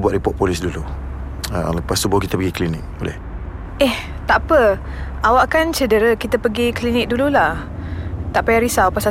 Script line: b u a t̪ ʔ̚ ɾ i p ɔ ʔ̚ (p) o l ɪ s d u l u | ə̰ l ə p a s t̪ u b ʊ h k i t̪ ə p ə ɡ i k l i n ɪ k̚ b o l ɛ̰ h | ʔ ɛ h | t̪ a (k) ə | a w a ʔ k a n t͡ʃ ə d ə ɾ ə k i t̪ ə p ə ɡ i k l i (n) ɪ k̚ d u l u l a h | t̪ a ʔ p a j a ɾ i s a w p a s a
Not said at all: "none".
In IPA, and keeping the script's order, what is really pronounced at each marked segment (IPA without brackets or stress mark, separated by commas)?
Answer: p, p, n